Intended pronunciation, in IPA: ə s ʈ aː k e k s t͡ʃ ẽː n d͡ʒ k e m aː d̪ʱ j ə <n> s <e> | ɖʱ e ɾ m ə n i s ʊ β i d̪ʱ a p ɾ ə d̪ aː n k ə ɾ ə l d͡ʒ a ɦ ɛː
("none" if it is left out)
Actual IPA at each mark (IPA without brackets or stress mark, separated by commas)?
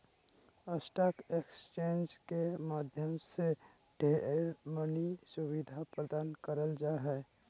m, e